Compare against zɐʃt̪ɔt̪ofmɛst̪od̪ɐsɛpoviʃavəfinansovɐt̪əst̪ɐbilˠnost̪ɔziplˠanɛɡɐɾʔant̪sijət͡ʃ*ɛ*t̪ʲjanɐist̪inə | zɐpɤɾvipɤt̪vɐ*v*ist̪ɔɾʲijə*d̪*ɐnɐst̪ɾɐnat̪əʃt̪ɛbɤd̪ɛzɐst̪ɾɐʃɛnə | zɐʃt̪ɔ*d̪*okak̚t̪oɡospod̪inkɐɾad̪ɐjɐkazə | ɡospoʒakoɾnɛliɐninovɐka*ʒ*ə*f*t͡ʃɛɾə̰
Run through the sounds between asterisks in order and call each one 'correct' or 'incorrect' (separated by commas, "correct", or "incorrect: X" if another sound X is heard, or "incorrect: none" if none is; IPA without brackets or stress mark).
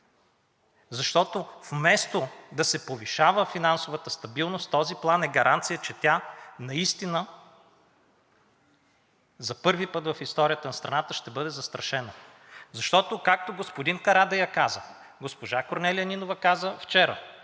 correct, incorrect: f, incorrect: t̪, incorrect: t̪, incorrect: z, correct